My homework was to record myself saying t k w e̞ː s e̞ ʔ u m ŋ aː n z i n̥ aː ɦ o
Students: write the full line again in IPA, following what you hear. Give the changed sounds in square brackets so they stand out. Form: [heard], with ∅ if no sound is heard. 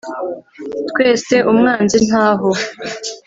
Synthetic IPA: t k w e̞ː s e̞ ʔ u m ŋ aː n z i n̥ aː ɦ o